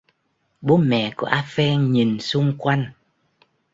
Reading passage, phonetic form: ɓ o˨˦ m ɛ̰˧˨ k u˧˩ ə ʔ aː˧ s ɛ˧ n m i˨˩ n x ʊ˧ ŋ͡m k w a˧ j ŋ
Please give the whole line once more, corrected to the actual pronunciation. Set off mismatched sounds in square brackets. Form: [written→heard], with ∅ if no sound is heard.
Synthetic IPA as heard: ɓ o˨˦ m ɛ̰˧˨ k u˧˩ ə ʔ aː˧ [s→f] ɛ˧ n [m→ɲ] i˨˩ n [x→s] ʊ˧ ŋ͡m k w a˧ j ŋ